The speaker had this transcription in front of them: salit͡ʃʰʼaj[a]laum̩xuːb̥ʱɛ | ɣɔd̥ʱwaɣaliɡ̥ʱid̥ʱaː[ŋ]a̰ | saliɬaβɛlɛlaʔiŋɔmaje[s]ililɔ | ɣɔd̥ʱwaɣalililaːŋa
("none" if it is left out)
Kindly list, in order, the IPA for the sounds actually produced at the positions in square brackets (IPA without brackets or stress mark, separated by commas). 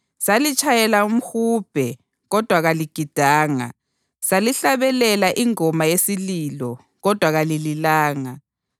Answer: ɛ, ŋ, s